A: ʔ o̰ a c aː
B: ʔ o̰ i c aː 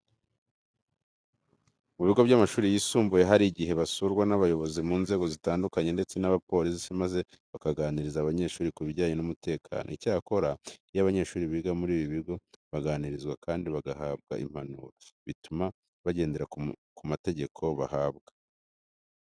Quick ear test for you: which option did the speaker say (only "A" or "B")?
B